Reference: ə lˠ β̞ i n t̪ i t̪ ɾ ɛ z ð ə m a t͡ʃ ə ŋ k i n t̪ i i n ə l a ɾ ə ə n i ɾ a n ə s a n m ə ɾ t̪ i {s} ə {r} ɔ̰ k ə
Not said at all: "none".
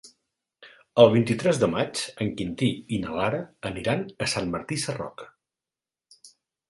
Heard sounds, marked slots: s, r

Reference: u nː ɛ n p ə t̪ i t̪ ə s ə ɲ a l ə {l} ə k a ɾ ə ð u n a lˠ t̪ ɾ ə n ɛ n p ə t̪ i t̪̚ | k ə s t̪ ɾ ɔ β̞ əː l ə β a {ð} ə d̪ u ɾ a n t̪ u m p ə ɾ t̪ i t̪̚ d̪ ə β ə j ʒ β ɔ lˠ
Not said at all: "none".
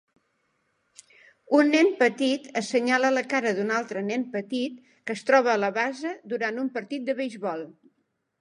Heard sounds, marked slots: l, z

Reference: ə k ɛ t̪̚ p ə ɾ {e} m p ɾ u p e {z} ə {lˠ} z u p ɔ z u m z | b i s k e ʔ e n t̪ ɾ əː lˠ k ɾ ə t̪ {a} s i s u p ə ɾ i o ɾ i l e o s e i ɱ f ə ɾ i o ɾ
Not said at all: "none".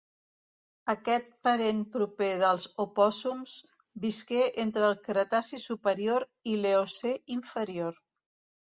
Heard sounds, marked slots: e, ð, lˠ, a

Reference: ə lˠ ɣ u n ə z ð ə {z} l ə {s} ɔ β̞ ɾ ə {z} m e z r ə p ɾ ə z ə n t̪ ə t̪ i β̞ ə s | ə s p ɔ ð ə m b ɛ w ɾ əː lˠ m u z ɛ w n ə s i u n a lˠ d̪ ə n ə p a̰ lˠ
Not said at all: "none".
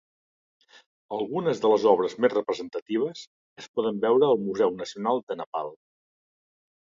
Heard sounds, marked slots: none, z, z

